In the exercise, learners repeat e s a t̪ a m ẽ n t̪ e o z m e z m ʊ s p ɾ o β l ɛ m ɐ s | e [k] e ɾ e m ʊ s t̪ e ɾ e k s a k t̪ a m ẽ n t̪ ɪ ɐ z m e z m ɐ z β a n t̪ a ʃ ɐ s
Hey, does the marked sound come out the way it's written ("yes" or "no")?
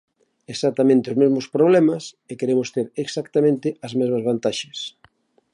yes